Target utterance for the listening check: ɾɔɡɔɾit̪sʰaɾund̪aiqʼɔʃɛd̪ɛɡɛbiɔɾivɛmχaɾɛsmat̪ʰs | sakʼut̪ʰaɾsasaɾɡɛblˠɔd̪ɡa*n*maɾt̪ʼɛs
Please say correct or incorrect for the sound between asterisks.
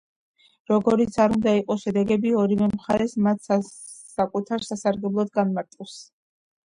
correct